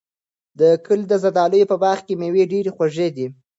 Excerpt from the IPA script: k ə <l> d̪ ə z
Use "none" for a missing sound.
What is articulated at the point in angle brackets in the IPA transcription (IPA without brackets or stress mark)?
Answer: l